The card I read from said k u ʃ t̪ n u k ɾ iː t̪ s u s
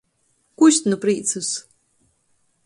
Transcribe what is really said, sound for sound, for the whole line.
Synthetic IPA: k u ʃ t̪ n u p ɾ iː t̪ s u s

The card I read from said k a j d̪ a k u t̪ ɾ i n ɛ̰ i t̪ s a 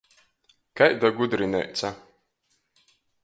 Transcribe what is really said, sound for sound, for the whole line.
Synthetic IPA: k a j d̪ a ɡ u d̪ ɾ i n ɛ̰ j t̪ s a

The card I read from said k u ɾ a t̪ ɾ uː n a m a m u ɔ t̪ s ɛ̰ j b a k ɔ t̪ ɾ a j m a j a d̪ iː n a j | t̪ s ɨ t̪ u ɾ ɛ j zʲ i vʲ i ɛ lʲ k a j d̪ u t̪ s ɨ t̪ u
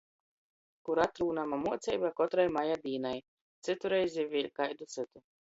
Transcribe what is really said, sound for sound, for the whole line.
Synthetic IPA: k u ɾ a t̪ ɾ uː n a m a m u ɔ t̪ s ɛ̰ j b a k ɔ t̪ ɾ a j m a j a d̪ iː n a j | t̪ s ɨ t̪ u ɾ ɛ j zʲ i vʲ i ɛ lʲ k a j d̪ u t̪ s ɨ t̪ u

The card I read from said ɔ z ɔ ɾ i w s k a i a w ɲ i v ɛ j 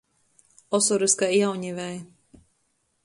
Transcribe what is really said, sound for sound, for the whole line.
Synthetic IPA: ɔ s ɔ ɾ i s k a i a w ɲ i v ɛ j

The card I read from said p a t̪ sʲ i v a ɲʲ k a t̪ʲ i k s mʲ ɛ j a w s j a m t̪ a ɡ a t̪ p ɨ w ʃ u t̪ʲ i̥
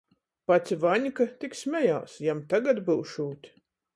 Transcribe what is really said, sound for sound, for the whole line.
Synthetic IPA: p a t̪ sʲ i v a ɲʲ k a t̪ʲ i k s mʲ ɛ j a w s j a m t̪ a ɡ a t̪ b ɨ w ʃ uː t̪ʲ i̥

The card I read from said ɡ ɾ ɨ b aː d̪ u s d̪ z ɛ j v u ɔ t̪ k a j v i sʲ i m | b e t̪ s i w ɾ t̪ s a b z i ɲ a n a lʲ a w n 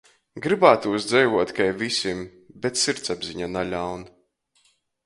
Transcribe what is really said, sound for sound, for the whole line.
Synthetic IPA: ɡ ɾ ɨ b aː t̪ u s d̪ z ɛ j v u ɔ t̪ k a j v i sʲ i m | b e t̪ s i ɾ t̪ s a b z i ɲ a n a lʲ a w n

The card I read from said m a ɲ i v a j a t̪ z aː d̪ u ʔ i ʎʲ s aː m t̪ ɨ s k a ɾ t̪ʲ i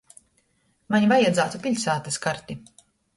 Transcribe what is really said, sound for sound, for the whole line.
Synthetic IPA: m a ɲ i v a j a d̪ z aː t̪ u p i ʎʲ s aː t̪ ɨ s k a ɾ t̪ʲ i

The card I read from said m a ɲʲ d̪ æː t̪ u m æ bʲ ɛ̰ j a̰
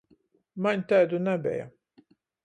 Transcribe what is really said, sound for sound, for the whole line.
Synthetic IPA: m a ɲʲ t̪ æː d̪ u n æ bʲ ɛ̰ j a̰

